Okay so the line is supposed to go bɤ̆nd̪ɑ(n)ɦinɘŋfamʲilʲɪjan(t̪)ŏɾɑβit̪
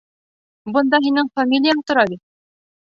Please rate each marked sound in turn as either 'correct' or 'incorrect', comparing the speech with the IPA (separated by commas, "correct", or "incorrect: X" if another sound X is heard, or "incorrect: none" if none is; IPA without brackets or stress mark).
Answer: incorrect: none, correct